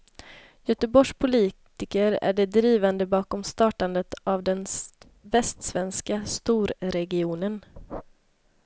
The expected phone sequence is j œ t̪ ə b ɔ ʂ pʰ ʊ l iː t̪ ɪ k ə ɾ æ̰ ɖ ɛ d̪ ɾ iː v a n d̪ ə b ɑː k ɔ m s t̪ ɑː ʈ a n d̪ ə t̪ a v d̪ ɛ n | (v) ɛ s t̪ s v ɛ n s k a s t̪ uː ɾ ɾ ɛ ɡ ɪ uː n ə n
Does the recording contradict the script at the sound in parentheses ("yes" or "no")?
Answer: no